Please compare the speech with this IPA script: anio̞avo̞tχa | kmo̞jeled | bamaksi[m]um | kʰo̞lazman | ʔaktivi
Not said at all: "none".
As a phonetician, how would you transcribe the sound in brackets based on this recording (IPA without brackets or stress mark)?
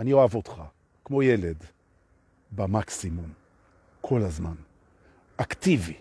m